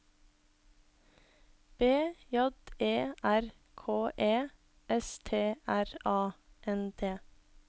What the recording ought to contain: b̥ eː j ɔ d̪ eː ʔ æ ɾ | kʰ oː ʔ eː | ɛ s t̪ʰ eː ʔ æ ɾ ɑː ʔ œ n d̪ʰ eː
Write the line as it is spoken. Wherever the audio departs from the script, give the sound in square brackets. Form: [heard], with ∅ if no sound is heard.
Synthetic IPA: b̥ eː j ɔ d̪ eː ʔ æ ɾ | kʰ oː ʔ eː | ɛ s t̪ʰ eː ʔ æ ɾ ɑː ʔ [ɛ] n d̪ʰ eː